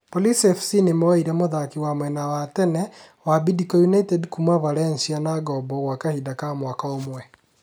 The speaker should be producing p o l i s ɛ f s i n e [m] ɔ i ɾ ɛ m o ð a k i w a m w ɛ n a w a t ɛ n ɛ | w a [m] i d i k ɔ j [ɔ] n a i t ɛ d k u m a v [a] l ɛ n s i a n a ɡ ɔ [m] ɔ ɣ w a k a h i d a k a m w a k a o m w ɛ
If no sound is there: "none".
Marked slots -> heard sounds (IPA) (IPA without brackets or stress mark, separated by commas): m, b, u, a, b